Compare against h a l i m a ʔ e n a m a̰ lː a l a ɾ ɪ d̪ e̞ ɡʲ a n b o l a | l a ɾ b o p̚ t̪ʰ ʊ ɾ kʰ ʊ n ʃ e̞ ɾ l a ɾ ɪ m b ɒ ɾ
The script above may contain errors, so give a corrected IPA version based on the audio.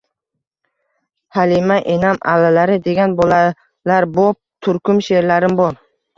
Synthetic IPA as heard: h a l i m a ʔ e n a m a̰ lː a l a ɾ ɪ d̪ e̞ ɡʲ a n b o l a | l a ɾ b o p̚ t̪ʰ ʊ ɾ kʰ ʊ m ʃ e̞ ɾ l a ɾ ɪ m b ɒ ɾ